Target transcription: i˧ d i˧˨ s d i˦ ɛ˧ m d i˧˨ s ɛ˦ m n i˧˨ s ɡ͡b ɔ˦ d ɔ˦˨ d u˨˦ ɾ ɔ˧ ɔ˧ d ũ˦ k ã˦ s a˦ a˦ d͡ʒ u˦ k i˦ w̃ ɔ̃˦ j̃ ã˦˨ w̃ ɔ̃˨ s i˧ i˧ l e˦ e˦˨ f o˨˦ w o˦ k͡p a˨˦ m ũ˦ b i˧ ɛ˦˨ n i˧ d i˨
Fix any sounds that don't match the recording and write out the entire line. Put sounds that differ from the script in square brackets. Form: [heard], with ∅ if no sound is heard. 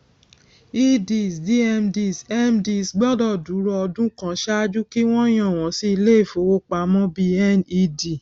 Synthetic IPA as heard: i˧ d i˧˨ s d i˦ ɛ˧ m d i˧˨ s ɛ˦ m [d] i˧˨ s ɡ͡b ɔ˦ d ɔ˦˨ d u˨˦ ɾ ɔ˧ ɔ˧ d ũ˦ k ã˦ [ʃ] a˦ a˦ d͡ʒ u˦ k i˦ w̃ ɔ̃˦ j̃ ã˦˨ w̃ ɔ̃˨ s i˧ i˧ l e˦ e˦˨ f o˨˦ w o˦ k͡p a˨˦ m [ɔ̃˦] b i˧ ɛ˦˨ n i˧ d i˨